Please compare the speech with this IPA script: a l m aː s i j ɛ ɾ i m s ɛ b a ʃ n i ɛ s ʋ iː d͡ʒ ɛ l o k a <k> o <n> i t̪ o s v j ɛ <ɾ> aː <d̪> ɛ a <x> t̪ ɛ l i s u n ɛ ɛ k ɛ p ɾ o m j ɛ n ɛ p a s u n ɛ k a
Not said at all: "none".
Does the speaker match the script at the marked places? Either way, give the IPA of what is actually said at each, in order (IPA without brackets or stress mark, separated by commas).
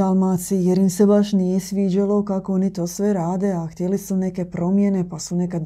k, n, ɾ, d̪, x